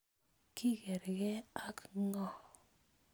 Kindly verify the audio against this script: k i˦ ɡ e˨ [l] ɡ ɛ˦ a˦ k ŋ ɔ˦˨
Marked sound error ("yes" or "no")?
yes